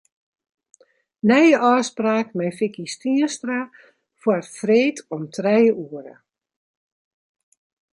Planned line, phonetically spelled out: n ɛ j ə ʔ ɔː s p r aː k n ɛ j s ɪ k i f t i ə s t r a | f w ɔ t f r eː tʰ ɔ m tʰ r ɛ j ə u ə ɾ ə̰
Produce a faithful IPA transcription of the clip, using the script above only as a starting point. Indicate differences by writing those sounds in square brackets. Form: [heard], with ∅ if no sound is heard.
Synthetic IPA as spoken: n ɛ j ə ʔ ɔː s p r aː k [m] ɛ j [f] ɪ k i [s] t i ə s t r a | f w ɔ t f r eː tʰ ɔ m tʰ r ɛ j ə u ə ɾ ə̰